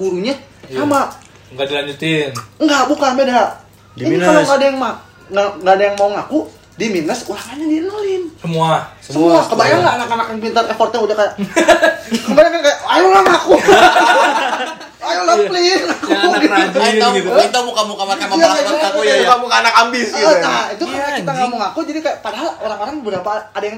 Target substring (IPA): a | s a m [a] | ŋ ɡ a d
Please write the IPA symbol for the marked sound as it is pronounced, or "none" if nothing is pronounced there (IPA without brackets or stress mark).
a